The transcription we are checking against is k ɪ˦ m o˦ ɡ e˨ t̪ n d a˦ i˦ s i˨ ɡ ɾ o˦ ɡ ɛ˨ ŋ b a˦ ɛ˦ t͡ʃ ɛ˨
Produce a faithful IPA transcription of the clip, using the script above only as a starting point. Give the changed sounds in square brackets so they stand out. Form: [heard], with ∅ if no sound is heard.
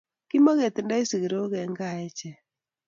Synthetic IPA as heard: k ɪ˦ m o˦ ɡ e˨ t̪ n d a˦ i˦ s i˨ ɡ ɾ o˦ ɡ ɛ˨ ŋ [ɡ] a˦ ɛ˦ t͡ʃ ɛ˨